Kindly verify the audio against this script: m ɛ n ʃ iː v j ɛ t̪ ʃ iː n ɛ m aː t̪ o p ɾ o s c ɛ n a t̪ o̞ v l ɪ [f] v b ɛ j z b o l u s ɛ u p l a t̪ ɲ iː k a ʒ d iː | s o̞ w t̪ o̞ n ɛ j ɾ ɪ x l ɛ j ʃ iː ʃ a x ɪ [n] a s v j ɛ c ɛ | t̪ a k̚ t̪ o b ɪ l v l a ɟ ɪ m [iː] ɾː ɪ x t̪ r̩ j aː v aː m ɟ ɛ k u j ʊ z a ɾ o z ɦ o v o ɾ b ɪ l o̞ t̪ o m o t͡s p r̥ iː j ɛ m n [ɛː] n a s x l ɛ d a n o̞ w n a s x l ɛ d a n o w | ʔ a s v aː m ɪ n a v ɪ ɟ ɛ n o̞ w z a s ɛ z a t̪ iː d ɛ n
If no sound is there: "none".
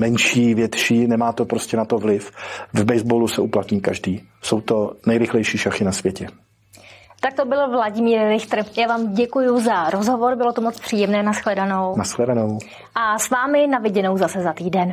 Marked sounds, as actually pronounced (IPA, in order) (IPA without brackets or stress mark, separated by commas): f, n, iː, ɛː